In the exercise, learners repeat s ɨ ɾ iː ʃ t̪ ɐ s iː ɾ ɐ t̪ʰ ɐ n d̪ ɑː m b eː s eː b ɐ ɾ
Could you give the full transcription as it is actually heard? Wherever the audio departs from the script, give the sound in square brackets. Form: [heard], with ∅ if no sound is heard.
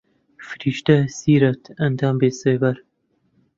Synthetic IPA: [f] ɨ ɾ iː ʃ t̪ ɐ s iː ɾ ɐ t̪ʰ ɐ n d̪ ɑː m b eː s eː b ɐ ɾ

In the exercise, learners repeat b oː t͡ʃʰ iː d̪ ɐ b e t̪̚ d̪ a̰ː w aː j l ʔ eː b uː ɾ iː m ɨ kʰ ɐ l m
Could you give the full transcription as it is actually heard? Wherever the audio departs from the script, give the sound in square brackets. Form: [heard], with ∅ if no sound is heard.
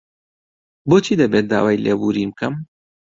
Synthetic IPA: b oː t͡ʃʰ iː d̪ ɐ b e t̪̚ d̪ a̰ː w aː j l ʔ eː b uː ɾ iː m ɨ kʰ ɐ [∅] m

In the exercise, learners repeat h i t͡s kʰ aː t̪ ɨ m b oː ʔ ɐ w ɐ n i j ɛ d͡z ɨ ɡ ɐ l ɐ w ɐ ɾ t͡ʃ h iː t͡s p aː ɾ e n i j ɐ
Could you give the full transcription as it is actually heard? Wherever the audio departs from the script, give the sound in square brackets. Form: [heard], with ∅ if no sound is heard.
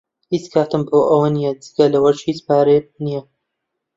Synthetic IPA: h i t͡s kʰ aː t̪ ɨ m b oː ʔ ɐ w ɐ n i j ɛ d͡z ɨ ɡ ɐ l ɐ w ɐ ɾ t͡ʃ h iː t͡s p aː ɾ e n i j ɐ

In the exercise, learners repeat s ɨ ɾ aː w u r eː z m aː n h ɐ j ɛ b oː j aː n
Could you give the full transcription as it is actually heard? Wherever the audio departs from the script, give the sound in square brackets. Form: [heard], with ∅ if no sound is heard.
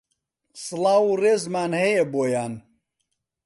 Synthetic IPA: s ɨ [l] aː w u r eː z m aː n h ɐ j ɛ b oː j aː n

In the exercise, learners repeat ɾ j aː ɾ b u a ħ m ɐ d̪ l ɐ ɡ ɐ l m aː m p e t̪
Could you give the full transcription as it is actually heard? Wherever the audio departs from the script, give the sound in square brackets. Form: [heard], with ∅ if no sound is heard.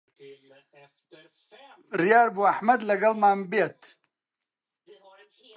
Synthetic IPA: ɾ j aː ɾ b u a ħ m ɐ d̪ l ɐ ɡ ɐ l m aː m [b] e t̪

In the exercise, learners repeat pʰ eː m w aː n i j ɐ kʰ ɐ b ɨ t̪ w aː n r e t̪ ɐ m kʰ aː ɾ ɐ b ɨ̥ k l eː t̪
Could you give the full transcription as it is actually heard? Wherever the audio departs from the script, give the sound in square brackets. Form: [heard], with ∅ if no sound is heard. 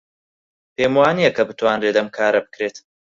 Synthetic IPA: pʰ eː m w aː n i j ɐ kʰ ɐ b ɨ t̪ w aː n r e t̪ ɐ m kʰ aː ɾ ɐ b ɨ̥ k [ɾ] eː t̪

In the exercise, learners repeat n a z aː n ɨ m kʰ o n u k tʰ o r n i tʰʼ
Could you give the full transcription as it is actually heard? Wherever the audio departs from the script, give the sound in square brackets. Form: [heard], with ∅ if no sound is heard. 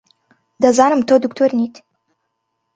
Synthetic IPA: [d] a z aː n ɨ m [tʰ] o [d] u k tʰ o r n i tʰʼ

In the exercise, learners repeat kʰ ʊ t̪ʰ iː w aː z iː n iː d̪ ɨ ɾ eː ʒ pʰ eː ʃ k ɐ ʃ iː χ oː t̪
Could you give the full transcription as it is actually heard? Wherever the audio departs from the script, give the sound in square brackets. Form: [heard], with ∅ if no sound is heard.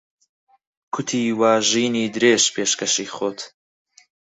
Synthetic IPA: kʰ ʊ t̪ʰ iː w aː [ʒ] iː n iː d̪ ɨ ɾ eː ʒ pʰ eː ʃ k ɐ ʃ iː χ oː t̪

